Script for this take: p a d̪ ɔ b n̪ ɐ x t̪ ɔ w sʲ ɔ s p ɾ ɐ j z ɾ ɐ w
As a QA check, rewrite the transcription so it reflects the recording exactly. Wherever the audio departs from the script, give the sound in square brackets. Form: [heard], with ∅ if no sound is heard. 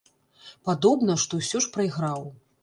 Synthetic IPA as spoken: p a d̪ ɔ b n̪ ɐ [ʂ] t̪ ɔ w sʲ ɔ [ʂ] p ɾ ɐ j [ɣ] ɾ [a] w